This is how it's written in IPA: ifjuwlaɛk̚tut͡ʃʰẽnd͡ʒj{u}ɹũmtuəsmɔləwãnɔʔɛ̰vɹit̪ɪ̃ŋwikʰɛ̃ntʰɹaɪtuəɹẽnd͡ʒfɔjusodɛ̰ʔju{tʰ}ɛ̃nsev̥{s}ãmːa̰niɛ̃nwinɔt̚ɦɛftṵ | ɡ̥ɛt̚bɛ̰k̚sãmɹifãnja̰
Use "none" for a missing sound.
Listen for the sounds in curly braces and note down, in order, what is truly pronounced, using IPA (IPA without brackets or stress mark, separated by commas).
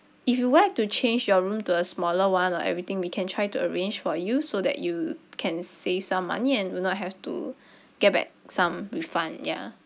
ɔ, kʰ, s